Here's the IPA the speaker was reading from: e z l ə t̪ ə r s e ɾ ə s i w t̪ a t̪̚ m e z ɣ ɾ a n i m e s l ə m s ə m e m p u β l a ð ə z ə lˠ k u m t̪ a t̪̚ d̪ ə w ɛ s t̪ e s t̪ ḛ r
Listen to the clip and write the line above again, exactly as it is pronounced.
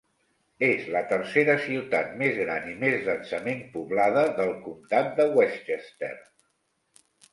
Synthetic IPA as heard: e z l ə t̪ ə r s e ɾ ə s i w t̪ a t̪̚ m e z ɣ ɾ a n i m e z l ə n s ə m e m p u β l a ð ə ð ə lˠ k u m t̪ a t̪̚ d̪ ə w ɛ s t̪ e s t̪ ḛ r